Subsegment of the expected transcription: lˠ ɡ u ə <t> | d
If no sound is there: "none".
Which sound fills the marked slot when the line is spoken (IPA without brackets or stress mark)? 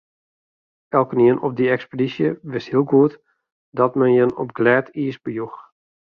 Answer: t